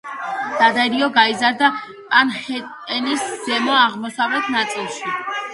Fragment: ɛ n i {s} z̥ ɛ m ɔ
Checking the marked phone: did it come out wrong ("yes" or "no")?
no